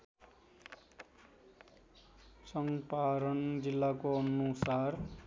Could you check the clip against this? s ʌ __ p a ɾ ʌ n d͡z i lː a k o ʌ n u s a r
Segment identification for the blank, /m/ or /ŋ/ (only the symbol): ŋ